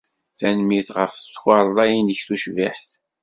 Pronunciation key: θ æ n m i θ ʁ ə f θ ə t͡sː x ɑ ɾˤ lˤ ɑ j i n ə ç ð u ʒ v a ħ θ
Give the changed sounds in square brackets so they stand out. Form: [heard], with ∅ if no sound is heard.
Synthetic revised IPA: θ æ n m i θ ʁ ə f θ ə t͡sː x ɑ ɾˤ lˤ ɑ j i n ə ç [θ] u [ʃ] v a ħ θ